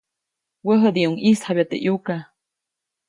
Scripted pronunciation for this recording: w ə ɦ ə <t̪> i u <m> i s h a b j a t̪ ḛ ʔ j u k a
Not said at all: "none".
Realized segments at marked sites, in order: d̪, ŋ

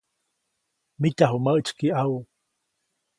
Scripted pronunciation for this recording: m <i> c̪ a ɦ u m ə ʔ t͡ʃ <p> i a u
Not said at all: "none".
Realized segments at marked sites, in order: i, k

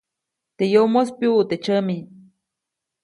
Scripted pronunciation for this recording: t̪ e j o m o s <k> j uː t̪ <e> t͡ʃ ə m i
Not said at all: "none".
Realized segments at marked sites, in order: p, e

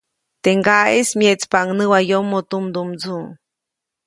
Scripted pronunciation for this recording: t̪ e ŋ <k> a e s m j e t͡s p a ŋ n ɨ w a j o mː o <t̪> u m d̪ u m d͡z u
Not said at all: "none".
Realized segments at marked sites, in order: ɡ, t̪

